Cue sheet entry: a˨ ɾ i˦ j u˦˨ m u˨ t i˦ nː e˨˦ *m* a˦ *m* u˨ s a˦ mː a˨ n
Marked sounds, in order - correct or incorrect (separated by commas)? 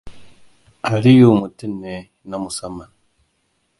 incorrect, correct